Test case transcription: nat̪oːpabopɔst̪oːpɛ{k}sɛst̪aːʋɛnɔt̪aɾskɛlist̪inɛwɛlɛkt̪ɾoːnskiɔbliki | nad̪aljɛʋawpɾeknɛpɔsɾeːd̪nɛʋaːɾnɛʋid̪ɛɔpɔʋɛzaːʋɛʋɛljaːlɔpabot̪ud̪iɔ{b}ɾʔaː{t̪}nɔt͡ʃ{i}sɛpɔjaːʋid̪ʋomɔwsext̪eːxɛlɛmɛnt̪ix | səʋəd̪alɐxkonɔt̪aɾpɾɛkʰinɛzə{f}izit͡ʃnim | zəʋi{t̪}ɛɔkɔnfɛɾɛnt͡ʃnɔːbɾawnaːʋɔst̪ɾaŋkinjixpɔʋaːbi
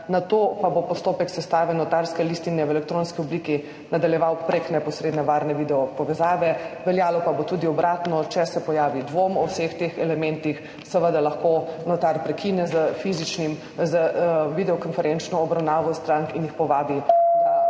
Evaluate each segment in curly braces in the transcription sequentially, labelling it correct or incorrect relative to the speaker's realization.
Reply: correct, correct, correct, incorrect: ɛ, correct, incorrect: d̪

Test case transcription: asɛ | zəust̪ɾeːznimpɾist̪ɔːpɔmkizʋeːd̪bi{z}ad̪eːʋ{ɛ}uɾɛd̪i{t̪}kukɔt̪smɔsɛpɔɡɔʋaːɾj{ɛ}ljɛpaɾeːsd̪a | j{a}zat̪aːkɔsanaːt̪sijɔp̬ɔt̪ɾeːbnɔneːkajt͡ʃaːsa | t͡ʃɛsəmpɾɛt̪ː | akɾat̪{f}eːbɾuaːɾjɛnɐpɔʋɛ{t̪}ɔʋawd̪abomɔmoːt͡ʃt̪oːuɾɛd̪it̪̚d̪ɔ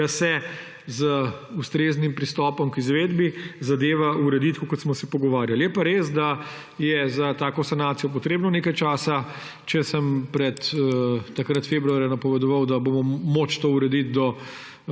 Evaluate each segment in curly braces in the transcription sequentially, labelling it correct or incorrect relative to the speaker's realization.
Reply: correct, incorrect: a, correct, incorrect: a, incorrect: ɛ, correct, incorrect: d̪

